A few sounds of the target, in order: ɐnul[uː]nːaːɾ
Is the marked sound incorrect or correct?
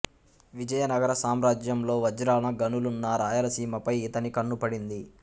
incorrect